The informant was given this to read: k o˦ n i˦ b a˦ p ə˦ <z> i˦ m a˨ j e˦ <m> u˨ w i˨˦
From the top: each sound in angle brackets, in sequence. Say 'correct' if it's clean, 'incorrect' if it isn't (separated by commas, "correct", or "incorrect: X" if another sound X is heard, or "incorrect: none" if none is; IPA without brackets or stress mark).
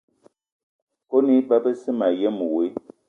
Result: incorrect: s, correct